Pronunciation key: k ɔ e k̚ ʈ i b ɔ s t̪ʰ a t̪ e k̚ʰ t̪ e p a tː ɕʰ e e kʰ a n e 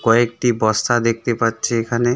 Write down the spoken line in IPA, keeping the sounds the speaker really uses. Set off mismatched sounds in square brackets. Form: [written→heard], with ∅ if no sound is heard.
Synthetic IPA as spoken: k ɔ e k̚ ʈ i b ɔ s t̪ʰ a [t̪→d̪] e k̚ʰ t̪ e p a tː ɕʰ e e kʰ a n e